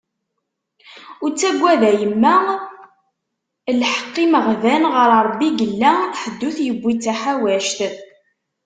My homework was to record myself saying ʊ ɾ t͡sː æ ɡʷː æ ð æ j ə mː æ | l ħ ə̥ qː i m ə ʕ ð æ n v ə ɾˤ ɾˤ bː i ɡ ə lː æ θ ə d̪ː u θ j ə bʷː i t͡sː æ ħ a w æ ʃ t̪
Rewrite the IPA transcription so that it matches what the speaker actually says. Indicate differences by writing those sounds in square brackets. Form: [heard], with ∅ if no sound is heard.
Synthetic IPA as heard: ʊ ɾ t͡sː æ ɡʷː æ ð æ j ə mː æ | l ħ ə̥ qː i m ə [ʁ] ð æ n [ʁ] ə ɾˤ ɾˤ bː i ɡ ə lː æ [ħ] ə d̪ː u θ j ə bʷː i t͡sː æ ħ a w æ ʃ t̪